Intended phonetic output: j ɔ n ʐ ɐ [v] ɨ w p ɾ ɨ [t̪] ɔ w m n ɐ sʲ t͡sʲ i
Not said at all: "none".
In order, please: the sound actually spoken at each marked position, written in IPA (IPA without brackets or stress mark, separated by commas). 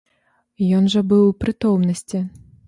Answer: b, t̪